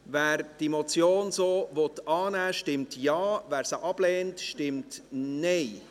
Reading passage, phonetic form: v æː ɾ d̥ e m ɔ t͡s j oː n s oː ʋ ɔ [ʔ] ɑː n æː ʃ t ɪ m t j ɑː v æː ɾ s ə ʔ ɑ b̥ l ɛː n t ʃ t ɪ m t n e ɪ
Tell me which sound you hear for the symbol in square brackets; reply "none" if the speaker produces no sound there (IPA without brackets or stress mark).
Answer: t